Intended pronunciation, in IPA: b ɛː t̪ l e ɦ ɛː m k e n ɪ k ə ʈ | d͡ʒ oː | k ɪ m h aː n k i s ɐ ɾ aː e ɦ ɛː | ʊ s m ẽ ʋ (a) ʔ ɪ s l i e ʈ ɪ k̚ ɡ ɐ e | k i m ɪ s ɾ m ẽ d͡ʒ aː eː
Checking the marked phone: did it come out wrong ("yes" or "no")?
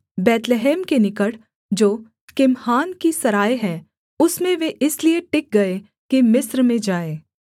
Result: yes